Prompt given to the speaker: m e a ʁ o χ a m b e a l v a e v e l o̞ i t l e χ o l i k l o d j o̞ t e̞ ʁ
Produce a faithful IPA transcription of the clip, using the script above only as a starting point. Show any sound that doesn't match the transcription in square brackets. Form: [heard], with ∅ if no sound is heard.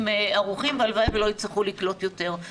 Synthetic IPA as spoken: m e a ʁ [u] χ [i] m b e a l v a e v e l o̞ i [t͡s] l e χ [u] l i k l o [t] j o̞ t e̞ ʁ